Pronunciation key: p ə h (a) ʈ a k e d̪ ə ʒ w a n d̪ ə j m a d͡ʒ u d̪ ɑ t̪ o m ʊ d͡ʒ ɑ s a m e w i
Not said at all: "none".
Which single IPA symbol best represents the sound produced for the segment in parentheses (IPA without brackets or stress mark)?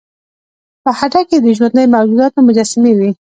a